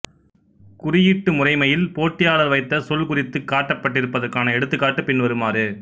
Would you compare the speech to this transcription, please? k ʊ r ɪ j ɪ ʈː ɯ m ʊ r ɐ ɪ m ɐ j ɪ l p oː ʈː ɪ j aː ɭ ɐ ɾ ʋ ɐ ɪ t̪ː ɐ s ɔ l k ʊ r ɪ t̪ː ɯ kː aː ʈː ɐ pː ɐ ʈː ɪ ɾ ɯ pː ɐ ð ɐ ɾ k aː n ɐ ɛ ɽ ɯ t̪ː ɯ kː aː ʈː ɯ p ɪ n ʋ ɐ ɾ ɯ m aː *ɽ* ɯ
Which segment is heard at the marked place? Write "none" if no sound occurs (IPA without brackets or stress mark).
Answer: ɾ